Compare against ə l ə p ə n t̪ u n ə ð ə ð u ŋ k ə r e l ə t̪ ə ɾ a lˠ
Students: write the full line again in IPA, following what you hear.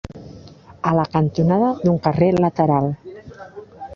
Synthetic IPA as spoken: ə l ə k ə n t̪ u n a ð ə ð u ŋ k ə r e l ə t̪ ə ɾ a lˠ